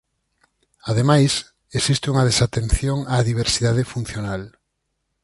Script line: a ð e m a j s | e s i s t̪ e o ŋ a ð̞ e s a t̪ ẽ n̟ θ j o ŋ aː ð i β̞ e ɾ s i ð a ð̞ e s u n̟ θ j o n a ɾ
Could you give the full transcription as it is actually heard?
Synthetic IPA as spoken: a ð e m a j s | e s i s t̪ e u ŋ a ð̞ e s a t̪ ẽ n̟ θ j o ŋ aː ð i β̞ e ɾ s i ð a ð̞ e f u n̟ θ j o n a l